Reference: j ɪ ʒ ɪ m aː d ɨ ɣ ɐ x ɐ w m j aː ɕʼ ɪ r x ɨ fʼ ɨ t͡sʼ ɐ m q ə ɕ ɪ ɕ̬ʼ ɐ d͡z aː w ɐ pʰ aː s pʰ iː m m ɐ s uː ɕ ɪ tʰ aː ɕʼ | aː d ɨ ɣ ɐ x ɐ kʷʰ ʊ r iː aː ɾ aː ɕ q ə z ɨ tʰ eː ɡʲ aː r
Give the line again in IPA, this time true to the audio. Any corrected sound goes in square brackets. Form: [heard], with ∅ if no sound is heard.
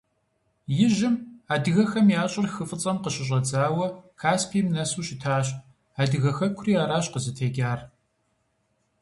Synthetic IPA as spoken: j ɪ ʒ ɪ m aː d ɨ ɣ ɐ x ɐ [∅] m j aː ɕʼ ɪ r x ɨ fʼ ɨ t͡sʼ ɐ m q ə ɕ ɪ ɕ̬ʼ ɐ d͡z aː w ɐ [kʰ] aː s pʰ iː m [n] ɐ s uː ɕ ɪ tʰ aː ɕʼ | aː d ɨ ɣ ɐ x ɐ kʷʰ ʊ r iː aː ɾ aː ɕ q ə z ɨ tʰ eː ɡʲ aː r

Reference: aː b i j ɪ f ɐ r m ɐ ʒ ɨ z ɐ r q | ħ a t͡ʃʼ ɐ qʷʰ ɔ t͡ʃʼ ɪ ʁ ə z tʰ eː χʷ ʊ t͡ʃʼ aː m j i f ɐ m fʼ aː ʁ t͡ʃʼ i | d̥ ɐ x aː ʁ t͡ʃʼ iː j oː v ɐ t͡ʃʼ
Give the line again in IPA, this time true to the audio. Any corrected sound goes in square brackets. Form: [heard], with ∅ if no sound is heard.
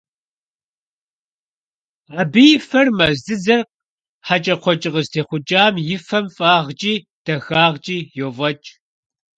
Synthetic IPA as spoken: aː b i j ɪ f ɐ r m ɐ [z] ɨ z ɐ r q | ħ a t͡ʃʼ ɐ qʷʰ ɔ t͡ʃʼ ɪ ʁ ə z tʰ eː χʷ ʊ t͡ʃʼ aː m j [ɪ] f ɐ m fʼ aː ʁ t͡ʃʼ [iː] | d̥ ɐ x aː ʁ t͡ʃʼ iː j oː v ɐ t͡ʃʼ

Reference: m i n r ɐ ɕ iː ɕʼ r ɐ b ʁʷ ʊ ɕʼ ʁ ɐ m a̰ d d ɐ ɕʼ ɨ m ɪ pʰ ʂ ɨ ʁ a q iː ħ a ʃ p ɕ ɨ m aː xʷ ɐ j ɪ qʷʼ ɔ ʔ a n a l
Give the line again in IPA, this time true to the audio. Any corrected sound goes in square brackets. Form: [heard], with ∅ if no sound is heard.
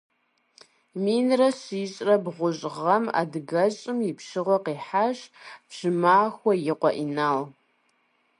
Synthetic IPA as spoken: m i n r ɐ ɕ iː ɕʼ r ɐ b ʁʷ ʊ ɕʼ ʁ ɐ m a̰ d [ɡ] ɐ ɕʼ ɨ m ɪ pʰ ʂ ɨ ʁ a q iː ħ a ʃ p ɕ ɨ m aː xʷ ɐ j ɪ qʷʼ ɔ ʔ [i] n a l

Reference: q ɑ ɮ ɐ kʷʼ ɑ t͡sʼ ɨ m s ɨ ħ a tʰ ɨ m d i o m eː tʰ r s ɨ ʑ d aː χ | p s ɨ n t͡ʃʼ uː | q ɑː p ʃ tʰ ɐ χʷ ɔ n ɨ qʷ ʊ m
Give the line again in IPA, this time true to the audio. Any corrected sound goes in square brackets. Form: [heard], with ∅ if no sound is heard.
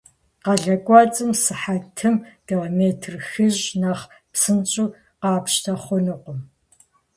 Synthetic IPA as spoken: q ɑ ɮ ɐ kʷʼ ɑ t͡sʼ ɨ m s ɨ ħ a tʰ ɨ m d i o m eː tʰ r [x] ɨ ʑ [n] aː χ | p s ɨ n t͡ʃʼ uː | q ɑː p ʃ tʰ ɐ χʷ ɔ n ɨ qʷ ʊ m

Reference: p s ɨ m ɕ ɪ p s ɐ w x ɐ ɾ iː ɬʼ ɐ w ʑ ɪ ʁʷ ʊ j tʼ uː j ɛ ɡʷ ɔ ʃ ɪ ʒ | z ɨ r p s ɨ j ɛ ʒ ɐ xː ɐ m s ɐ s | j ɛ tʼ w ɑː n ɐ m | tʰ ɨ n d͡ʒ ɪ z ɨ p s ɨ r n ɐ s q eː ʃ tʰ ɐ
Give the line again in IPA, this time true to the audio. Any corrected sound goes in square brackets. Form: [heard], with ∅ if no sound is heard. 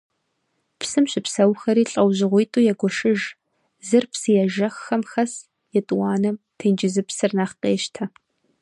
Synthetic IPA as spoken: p s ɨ m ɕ ɪ p s ɐ w x ɐ ɾ iː ɬʼ ɐ w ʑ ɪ ʁʷ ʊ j tʼ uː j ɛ ɡʷ ɔ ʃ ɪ ʒ | z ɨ r p s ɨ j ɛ ʒ ɐ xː ɐ m [x] ɐ s | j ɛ tʼ w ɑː n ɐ m | tʰ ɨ n d͡ʒ ɪ z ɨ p s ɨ r n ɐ [χ] q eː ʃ tʰ ɐ

